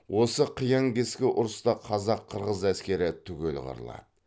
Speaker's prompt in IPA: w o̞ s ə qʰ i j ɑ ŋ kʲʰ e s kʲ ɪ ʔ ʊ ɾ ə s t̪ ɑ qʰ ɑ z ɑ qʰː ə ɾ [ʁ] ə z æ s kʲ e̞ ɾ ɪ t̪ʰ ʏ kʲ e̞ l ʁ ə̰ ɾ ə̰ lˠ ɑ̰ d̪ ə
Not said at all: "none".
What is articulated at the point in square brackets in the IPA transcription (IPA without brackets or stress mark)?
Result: ʁ